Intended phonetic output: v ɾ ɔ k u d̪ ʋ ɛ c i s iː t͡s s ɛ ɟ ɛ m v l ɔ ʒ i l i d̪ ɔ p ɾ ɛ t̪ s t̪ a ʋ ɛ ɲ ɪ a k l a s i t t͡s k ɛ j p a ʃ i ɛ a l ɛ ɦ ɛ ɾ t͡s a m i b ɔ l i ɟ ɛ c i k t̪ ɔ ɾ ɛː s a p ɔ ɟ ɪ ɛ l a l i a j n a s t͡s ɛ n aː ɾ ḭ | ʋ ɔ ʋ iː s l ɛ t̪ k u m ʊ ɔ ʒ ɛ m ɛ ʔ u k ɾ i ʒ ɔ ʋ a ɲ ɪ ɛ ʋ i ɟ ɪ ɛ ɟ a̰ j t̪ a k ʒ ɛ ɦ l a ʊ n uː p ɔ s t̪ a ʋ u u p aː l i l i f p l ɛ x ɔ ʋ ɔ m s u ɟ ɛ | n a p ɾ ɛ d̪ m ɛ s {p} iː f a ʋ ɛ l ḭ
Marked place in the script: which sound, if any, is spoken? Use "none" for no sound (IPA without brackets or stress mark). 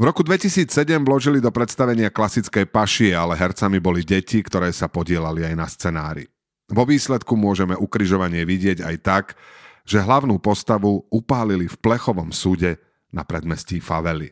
c